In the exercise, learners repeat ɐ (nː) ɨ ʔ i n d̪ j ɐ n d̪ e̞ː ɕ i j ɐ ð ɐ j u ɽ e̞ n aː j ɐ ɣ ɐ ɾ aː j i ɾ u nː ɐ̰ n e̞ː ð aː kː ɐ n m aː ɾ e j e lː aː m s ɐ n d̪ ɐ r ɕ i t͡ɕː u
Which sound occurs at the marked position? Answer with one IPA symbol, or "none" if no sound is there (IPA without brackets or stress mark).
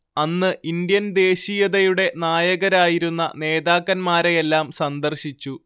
nː